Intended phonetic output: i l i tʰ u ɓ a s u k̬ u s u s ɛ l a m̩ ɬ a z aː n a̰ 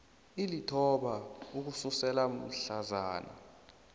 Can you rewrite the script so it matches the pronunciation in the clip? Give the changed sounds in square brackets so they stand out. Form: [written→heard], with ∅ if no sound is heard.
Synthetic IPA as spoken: i l i tʰ [u→ɔ] ɓ a [s→∅] u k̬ u s u s ɛ l a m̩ ɬ a z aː n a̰